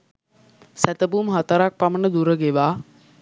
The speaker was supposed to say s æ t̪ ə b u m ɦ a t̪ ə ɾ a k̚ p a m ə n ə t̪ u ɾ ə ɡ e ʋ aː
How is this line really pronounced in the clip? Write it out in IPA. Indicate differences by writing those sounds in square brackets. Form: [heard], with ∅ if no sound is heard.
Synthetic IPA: s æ t̪ ə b u m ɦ a t̪ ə ɾ a k̚ p a m ə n ə [d̪] u ɾ ə ɡ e ʋ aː